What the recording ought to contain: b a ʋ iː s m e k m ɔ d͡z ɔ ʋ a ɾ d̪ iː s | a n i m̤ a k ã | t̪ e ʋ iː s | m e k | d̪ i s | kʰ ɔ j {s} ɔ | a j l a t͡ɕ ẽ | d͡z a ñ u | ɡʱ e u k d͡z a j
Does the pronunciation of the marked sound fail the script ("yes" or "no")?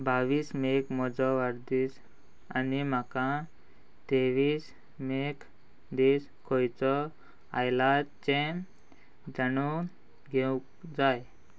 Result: yes